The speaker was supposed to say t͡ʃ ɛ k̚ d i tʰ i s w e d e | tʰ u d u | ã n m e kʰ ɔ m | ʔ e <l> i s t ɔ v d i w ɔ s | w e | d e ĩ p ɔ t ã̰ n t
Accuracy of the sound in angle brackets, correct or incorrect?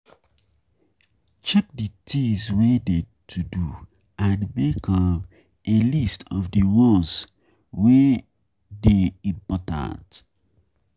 correct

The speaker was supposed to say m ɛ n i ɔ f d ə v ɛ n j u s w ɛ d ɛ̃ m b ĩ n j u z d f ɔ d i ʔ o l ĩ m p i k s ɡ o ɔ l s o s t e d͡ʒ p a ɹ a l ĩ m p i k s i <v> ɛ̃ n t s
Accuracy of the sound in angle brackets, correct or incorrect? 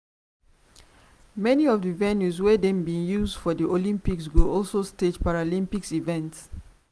correct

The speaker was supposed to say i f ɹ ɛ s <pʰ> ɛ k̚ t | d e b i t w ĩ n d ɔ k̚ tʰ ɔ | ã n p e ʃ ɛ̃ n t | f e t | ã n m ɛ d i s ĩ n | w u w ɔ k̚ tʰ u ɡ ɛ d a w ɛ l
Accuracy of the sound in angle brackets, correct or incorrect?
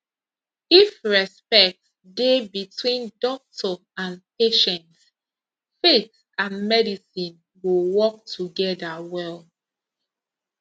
incorrect: p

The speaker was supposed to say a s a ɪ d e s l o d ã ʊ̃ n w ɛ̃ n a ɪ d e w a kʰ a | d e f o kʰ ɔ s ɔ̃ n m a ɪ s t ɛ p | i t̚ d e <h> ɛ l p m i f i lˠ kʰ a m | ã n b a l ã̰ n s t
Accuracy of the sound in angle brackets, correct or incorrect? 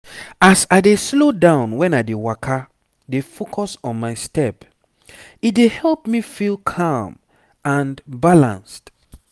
correct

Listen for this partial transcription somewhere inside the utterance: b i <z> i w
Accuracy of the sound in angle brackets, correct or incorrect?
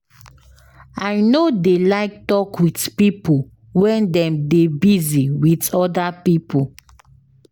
correct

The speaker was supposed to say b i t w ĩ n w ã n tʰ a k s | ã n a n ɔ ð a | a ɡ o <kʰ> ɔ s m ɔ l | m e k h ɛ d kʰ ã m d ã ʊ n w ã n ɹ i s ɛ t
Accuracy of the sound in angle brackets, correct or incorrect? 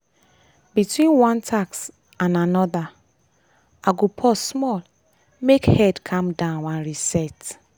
incorrect: pʰ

